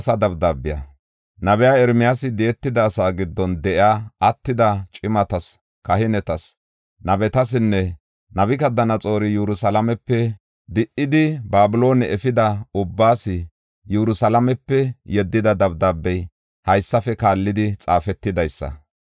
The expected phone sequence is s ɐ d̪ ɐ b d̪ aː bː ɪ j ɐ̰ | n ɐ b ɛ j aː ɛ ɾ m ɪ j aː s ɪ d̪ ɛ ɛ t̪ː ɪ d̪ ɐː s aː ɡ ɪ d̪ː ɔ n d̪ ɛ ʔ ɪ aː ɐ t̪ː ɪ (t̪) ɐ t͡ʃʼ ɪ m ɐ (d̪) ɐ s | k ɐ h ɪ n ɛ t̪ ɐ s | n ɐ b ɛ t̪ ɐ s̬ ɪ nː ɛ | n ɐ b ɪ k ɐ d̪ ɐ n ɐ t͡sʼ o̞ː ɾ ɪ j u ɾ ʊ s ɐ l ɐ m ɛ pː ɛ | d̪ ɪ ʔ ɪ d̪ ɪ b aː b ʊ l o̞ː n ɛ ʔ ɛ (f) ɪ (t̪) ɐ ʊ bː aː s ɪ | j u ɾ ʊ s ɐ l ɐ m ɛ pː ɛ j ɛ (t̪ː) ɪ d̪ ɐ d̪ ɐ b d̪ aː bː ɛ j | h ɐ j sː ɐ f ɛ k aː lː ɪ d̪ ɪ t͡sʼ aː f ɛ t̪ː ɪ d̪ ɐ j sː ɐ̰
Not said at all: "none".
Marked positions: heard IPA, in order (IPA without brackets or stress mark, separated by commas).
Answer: d̪, t̪, f, d̪, d̪ː